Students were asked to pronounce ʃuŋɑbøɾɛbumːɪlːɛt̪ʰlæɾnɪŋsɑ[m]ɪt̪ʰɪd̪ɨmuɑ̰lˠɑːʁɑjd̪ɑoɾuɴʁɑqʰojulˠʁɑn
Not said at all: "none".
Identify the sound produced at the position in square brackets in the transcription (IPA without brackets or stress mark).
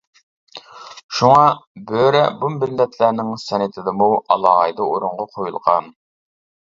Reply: n